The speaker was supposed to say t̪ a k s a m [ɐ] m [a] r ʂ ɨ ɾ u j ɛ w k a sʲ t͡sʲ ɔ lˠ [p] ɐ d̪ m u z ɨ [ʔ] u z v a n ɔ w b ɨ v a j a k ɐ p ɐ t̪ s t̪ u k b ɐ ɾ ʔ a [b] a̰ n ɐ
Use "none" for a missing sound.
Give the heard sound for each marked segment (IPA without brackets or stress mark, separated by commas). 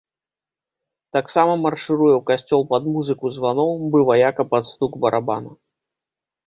ɐ, ɐ, p, k, b